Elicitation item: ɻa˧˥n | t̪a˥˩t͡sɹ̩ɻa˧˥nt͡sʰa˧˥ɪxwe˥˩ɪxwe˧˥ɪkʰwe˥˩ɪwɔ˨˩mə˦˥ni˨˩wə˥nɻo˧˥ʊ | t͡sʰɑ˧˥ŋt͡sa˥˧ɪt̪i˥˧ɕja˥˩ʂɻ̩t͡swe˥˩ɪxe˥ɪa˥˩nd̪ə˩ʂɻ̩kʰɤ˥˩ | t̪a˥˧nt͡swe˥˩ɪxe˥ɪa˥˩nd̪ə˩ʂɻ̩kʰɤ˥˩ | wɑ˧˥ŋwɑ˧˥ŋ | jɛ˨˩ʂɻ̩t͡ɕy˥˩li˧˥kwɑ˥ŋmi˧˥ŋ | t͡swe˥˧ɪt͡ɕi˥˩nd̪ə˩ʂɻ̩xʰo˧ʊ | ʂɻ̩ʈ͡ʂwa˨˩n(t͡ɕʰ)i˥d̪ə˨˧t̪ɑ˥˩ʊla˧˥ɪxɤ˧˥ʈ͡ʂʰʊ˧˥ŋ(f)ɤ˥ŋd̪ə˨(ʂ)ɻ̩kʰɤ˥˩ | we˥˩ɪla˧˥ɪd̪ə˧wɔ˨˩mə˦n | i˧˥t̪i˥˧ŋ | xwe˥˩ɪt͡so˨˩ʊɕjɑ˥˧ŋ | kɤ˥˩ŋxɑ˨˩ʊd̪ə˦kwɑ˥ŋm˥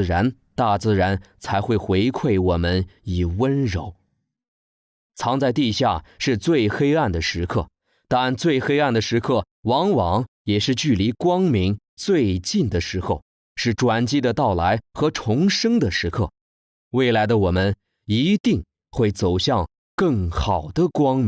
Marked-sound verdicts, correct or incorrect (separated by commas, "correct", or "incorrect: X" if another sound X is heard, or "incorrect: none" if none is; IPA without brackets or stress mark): incorrect: t͡ɕ, incorrect: ʂ, correct